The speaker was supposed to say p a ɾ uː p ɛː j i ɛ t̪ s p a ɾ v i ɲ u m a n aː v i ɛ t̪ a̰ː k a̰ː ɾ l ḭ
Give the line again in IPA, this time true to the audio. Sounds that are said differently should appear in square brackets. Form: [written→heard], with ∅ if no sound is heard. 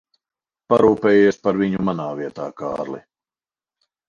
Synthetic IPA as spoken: p a ɾ uː p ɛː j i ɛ [t̪→∅] s p a ɾ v i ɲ u m a n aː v i ɛ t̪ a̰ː k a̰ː ɾ l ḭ